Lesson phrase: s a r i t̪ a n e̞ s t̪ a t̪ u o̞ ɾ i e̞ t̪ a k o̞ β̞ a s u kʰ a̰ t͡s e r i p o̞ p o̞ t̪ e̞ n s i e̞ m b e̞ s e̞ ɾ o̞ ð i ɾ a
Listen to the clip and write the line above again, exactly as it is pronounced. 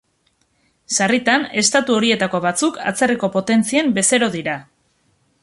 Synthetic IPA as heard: s a r i t̪ a n e̞ s t̪ a t̪ u o̞ ɾ i e̞ t̪ a k o̞ β̞ a t͡s u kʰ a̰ t͡s e r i k o̞ p o̞ t̪ e̞ n t͡s i e̞ m b e̞ s e̞ ɾ o̞ ð i ɾ a

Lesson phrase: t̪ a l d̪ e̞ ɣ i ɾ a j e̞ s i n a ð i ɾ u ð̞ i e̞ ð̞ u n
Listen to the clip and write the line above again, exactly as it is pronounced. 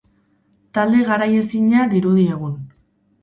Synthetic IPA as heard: t̪ a l d̪ e̞ ɣ a ɾ a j e̞ s i ɲ a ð i ɾ u ð̞ i e̞ ɣ̞ u n

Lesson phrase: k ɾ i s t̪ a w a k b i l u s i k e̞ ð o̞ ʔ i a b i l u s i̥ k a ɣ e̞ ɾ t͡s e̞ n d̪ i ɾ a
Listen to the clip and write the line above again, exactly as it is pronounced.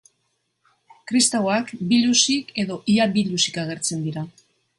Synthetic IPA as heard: k ɾ i s t̪ a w a k b i l u s i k e̞ ð o̞ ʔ i a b i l u s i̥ k a ɣ e̞ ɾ t͡s e̞ n d̪ i ɾ a

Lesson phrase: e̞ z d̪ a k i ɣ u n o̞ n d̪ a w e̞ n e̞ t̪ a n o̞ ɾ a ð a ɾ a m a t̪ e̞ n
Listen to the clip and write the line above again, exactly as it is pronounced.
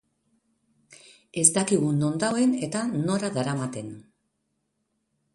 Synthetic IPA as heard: e̞ z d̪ a k i ɣ u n o̞ n d̪ a w e̞ n e̞ t̪ a n o̞ ɾ a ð a ɾ a m a t̪ e̞ n

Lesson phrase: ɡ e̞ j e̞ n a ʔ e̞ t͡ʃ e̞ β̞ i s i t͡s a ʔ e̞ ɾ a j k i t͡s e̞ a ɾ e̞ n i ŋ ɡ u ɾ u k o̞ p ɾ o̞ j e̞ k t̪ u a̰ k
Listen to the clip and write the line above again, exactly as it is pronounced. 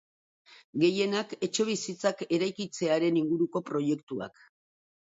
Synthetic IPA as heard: ɡ e̞ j e̞ n a k e̞ t͡ʃ e̞ β̞ i s i t͡s a k e̞ ɾ a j k i t͡s e̞ a ɾ e̞ n i ŋ ɡ u ɾ u k o̞ p ɾ o̞ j e̞ k t̪ u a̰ k

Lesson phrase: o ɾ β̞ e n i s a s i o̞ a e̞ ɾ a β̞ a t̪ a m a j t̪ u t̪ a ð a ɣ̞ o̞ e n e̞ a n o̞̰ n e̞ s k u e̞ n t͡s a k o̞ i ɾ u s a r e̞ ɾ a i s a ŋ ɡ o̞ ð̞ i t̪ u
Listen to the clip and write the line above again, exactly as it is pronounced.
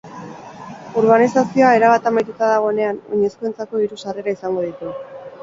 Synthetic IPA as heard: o ɾ β̞ a n i s a s i o̞ a e̞ ɾ a β̞ a t̪ a m a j t̪ u t̪ a ð a ɣ̞ o̞ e n e̞ a n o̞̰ ɲ e̞ s k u e̞ n t͡s a k o̞ i ɾ u s a r e̞ ɾ a i s a ŋ ɡ o̞ ð̞ i t̪ u

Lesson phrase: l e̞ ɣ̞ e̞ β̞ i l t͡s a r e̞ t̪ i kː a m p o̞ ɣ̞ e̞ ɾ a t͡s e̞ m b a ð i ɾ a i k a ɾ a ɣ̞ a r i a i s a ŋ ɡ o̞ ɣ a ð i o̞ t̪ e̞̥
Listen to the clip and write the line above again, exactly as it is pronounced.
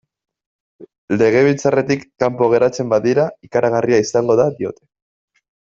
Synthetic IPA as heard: l e̞ ɣ̞ e̞ β̞ i l t͡s a r e̞ t̪ i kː a m p o̞ ɣ̞ e̞ ɾ a t͡s e̞ m b a ð i ɾ a i k a ɾ a ɣ̞ a r i a i s a ŋ ɡ o̞ ð a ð i o̞ t̪ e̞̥

